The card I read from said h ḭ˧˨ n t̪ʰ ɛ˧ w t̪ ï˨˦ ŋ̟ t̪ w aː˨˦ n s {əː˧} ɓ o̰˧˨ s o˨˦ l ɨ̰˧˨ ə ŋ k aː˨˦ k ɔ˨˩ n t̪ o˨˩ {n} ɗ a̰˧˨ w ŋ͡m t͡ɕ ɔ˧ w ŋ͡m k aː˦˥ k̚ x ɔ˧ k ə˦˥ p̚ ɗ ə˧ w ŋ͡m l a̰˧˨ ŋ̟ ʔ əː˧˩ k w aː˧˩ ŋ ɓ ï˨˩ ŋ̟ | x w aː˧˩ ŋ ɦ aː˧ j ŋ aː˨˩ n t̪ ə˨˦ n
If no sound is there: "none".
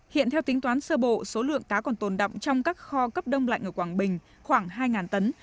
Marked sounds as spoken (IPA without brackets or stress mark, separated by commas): əː˧, n